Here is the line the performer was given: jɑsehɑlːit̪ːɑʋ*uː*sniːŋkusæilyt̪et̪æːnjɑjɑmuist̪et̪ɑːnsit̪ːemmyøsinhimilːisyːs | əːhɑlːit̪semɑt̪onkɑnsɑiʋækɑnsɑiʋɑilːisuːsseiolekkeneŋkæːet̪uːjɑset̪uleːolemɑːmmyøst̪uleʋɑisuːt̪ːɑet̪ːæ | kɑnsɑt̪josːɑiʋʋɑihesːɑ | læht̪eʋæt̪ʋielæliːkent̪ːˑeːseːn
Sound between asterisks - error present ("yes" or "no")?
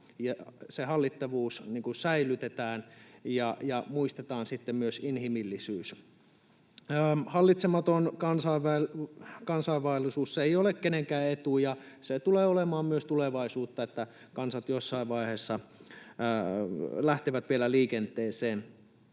no